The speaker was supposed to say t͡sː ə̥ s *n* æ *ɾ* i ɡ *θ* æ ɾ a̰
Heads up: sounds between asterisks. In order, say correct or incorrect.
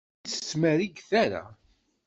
incorrect, correct, correct

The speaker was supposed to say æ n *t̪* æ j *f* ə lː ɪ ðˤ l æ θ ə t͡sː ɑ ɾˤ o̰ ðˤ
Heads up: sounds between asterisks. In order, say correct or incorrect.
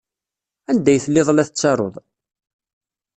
incorrect, incorrect

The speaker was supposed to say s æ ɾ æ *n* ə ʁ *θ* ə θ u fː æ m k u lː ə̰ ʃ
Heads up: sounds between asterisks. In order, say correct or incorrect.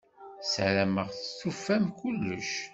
incorrect, correct

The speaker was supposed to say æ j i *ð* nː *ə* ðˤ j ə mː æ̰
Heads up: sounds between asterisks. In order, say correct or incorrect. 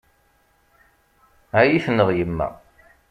incorrect, correct

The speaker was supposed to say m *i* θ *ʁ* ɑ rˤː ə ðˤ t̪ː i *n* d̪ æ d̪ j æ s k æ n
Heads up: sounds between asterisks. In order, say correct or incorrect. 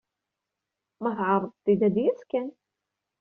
incorrect, incorrect, incorrect

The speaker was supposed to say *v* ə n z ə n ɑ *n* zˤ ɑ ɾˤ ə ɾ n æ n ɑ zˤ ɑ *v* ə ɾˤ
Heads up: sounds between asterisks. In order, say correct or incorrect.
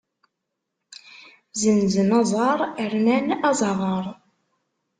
incorrect, incorrect, incorrect

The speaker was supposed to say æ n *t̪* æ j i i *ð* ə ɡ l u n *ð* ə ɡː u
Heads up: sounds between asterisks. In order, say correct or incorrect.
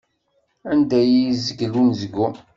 incorrect, incorrect, incorrect

